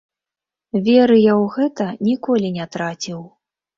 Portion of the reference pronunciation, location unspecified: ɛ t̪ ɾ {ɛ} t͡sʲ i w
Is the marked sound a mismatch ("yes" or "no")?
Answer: yes